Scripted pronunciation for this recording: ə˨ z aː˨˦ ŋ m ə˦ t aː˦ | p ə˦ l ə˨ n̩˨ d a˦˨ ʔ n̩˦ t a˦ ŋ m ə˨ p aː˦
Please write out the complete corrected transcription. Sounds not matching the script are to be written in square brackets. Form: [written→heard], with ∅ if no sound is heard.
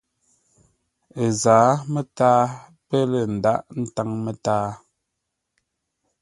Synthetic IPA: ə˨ z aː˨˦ [ŋ→∅] m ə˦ t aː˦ | p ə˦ l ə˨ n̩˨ d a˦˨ ʔ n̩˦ t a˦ ŋ m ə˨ [p→t] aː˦